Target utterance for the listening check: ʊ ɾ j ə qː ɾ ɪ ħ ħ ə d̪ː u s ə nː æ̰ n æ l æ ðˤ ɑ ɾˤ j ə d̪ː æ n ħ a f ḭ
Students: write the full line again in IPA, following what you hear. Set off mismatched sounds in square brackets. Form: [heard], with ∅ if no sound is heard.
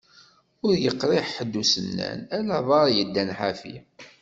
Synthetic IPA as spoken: ʊ ɾ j ə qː ɾ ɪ ħ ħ ə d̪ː u s ə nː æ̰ n æ l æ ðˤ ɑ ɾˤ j ə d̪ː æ n ħ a f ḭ